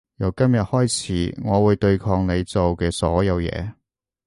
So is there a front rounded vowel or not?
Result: no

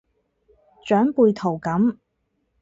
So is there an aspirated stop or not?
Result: yes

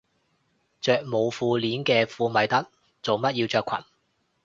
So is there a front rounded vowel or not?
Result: yes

